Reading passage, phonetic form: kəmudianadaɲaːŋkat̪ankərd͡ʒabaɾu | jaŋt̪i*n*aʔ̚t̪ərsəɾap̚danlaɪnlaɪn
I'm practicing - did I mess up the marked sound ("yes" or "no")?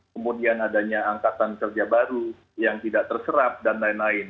yes